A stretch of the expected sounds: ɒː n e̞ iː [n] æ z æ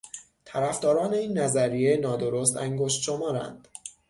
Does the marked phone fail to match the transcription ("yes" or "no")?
yes